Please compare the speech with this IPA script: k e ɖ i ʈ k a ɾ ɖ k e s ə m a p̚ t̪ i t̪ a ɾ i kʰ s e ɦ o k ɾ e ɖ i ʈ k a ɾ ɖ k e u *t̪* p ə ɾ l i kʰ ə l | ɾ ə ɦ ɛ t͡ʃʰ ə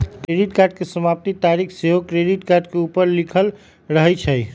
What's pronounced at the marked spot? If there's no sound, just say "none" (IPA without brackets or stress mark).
none